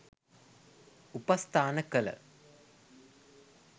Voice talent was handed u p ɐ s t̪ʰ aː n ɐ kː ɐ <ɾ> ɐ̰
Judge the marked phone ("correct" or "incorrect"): incorrect